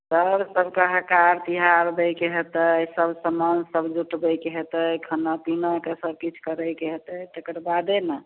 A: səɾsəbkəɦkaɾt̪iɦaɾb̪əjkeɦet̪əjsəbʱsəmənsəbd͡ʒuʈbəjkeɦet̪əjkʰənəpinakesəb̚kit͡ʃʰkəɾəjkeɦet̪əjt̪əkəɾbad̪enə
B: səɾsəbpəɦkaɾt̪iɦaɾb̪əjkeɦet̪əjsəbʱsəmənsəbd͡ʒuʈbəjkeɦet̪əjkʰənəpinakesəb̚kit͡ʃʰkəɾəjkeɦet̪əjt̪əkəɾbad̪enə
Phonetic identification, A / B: A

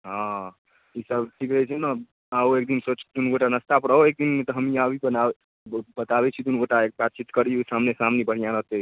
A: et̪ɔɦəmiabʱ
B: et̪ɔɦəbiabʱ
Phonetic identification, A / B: A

